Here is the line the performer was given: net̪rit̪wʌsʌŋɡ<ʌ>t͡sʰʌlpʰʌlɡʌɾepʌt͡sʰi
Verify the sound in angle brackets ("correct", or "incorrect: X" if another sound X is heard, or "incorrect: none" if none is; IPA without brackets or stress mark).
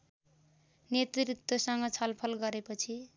correct